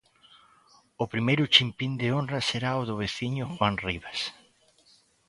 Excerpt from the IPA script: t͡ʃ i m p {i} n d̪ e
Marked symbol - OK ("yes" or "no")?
yes